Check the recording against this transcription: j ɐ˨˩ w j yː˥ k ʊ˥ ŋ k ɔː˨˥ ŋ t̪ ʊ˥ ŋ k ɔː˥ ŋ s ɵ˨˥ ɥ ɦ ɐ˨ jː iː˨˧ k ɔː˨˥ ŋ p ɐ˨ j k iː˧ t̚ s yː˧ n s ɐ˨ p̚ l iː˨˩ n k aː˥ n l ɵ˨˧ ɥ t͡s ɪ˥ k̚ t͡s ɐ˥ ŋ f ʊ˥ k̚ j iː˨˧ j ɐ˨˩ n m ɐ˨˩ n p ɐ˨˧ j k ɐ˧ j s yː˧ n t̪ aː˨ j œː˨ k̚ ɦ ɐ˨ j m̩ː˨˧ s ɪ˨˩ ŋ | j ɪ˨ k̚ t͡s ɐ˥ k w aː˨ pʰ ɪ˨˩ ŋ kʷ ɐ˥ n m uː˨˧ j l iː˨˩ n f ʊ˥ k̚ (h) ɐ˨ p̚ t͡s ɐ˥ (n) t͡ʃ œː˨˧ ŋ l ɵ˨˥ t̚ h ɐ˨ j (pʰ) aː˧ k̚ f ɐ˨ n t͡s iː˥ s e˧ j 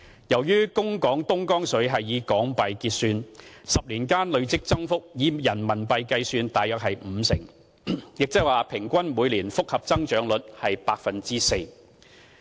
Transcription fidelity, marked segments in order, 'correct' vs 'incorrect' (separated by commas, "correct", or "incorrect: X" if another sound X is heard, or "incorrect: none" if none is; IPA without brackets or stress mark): correct, incorrect: ŋ, incorrect: p